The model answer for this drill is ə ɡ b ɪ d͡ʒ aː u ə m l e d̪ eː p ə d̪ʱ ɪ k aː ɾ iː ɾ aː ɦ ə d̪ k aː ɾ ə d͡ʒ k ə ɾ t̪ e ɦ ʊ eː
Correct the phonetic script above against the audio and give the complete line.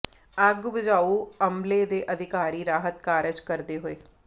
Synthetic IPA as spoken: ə ɡ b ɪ d͡ʒ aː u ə m l e d̪ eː ʔ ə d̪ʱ ɪ k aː ɾ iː ɾ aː ɦ ə t̪ k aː ɾ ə d͡ʒ k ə ɾ d̪ e ɦ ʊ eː